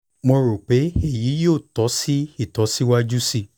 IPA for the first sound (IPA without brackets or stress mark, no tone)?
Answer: m